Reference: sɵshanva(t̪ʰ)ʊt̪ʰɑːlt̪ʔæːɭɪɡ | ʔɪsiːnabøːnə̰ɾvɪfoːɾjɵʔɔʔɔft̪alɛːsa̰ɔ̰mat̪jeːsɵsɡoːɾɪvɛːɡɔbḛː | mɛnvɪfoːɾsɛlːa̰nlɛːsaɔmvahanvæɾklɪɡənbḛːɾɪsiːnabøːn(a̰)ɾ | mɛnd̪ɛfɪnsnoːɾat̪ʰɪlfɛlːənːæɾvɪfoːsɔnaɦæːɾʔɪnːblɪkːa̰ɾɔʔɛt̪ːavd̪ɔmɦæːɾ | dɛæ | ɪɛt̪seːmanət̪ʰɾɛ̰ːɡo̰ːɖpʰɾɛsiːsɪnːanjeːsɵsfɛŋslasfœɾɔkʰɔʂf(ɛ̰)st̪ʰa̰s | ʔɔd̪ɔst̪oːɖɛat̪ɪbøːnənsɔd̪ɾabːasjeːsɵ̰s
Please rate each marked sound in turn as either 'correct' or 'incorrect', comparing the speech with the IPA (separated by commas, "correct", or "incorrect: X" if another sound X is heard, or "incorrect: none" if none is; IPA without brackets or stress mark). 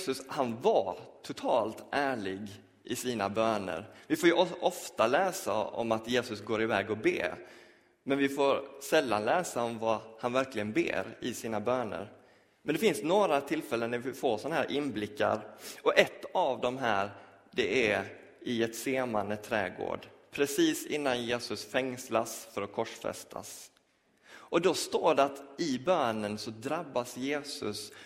correct, incorrect: ə̰, correct